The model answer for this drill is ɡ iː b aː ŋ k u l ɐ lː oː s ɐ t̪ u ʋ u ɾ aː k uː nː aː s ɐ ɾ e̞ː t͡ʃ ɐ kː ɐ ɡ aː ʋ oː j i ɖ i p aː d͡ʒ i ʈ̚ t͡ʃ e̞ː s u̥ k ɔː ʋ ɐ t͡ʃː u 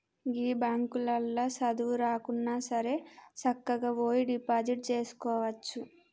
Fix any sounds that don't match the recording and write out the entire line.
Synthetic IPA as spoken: ɡ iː b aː ŋ k u l ɐ lː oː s ɐ d̪ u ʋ u ɾ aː k u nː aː s ɐ ɾ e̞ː t͡ʃ ɐ kː ɐ ɡ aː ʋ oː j i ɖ i p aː d͡ʒ i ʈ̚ t͡ʃ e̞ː s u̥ k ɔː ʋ ɐ t͡ʃː u